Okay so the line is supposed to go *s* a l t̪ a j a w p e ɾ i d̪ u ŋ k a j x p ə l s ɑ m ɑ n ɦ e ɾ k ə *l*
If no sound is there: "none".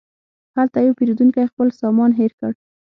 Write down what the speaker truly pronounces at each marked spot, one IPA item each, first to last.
h, ɽ

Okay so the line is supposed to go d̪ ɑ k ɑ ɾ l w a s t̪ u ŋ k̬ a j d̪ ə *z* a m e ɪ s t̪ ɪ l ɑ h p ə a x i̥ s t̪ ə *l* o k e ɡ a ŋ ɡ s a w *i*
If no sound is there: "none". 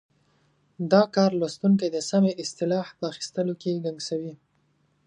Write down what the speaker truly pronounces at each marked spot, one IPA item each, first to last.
s, l, i

